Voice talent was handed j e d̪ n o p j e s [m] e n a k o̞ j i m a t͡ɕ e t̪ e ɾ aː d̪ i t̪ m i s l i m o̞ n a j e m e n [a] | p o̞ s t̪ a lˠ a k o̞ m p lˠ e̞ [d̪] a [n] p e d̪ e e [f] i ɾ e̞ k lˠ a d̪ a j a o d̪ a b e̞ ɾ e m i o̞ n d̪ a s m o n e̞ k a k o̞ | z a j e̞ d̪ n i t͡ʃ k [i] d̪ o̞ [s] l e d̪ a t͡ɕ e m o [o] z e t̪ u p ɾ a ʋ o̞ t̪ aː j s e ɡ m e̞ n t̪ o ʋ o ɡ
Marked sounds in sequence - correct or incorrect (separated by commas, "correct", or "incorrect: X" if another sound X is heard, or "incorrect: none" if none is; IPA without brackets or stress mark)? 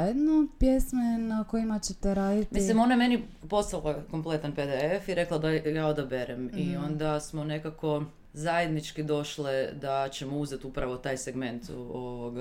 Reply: correct, incorrect: i, incorrect: t̪, correct, correct, correct, incorrect: ʃ, incorrect: u